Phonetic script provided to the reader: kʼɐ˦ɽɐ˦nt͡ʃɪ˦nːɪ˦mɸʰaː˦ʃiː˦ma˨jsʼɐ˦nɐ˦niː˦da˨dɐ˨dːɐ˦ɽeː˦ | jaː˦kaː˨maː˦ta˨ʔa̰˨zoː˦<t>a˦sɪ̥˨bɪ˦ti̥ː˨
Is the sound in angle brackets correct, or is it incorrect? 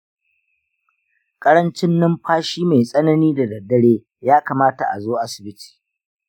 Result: incorrect